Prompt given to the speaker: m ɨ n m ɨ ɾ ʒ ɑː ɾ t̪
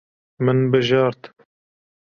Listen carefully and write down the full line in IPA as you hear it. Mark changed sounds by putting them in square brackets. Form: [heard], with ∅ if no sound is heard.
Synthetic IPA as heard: m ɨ n [b] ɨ [∅] ʒ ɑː ɾ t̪